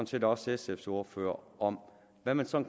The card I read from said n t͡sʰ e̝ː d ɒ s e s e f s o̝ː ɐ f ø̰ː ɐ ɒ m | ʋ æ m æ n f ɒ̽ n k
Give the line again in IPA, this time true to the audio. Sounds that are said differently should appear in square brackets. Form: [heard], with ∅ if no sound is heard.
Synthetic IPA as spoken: n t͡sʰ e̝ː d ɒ s e s e f s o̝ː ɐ f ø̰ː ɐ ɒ m | ʋ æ m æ n [s] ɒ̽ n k